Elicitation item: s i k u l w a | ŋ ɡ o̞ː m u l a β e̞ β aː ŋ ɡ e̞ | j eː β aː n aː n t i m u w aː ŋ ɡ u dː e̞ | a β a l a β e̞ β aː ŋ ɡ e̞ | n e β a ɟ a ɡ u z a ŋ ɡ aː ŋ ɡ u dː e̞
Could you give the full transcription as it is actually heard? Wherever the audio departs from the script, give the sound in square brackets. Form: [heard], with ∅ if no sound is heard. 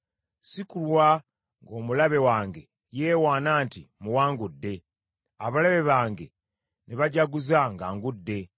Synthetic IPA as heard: s i k u l w a | ŋ ɡ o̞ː m u l a β e̞ [w] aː ŋ ɡ e̞ | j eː [w] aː n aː n t i m u w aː ŋ ɡ u dː e̞ | a β a l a β e̞ β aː ŋ ɡ e̞ | n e β a ɟ a ɡ u z a ŋ ɡ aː ŋ ɡ u dː e̞